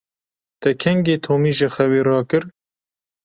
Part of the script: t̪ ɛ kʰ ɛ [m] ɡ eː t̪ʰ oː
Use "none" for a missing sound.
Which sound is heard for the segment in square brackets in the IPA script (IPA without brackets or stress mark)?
ŋ